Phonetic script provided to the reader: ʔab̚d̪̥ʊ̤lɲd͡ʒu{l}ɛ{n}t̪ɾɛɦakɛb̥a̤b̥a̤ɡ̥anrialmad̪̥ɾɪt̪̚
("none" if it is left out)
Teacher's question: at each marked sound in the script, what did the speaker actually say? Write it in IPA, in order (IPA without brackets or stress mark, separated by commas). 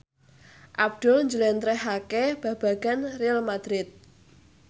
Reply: l, n